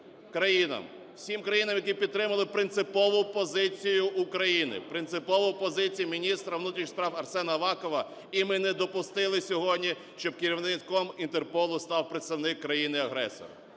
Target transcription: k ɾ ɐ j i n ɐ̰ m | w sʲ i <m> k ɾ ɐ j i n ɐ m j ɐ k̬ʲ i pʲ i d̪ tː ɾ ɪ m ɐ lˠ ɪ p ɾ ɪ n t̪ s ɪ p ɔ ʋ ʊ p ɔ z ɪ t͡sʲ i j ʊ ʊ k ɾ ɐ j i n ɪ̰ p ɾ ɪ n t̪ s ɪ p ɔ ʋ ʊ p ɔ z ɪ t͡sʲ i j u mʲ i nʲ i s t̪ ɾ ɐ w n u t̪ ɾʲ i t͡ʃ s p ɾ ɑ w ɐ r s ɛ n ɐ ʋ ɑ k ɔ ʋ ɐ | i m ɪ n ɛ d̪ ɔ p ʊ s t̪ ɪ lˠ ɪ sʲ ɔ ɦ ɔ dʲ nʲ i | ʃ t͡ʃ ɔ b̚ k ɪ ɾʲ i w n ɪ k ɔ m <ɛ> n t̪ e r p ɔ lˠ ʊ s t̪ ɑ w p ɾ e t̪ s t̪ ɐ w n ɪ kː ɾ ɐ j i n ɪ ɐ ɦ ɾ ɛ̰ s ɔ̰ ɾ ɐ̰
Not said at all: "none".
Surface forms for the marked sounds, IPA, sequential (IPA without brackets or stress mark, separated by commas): m, i